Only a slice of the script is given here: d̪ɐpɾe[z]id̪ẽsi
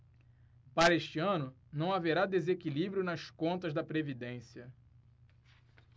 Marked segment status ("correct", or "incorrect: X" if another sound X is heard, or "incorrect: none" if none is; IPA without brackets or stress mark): incorrect: v